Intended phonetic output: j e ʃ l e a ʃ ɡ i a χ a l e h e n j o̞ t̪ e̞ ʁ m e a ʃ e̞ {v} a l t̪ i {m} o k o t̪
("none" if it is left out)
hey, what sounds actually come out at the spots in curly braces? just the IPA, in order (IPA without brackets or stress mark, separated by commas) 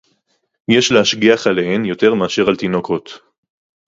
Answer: ʁ, n